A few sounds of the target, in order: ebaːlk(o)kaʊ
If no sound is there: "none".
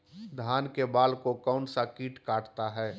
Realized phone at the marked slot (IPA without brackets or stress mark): o